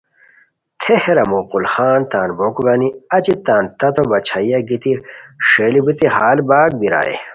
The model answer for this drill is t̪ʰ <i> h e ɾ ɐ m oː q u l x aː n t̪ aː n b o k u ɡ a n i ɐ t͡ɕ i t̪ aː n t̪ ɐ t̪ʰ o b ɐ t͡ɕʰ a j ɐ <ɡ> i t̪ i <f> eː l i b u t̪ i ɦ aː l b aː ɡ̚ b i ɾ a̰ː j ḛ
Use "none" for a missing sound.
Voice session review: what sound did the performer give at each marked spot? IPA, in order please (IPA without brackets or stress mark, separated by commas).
e, ɡ, ʂ